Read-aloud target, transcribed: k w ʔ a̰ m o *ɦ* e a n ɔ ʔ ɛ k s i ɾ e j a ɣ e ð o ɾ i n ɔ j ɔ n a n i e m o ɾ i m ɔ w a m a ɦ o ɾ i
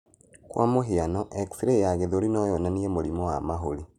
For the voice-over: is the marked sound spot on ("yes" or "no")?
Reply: yes